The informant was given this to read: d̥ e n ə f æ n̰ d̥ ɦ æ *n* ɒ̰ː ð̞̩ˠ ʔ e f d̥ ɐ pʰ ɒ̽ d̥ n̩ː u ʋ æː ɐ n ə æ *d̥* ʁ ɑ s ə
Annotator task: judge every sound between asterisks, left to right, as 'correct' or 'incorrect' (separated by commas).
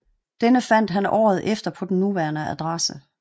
correct, correct